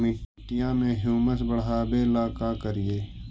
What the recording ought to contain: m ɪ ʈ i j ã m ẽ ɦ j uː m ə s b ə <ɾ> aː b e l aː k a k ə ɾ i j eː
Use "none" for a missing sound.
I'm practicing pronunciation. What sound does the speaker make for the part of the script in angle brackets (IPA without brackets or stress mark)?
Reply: ɽ